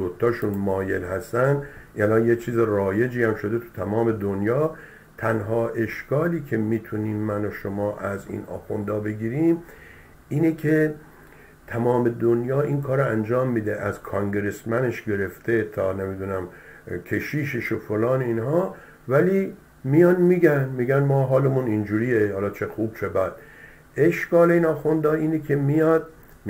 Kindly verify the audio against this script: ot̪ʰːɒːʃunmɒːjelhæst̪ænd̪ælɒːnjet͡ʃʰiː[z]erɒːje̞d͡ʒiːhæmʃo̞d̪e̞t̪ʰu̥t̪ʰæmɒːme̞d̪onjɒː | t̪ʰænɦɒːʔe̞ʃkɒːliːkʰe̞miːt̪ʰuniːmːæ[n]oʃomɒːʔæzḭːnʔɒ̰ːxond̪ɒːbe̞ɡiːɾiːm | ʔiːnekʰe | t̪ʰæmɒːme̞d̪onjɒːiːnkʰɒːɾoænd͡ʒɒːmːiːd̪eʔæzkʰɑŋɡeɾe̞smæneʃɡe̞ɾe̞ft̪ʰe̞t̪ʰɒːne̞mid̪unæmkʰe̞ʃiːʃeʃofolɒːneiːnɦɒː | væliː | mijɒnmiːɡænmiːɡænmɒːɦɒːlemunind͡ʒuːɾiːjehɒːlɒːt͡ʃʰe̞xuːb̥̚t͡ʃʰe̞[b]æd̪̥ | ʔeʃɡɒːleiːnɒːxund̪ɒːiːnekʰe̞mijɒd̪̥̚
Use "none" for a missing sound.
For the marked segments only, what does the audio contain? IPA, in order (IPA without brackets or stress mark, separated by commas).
z, n, b